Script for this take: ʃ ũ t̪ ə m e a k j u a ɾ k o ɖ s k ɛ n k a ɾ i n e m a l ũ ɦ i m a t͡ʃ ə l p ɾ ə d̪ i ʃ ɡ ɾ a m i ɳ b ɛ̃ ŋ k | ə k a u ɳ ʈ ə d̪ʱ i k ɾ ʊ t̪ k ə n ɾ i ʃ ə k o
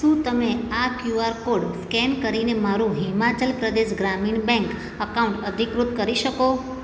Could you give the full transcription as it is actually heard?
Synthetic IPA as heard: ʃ ũ t̪ ə m e a k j u a ɾ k o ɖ s k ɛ n k ə ɾ i n e m a ɾ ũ ɦ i m a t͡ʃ ə l p ɾ ə d̪ e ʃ ɡ ɾ a m i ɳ b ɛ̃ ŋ k | ə k a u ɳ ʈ ə d̪ʱ i k ɾ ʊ t̪ k ə ɾ i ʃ ə k o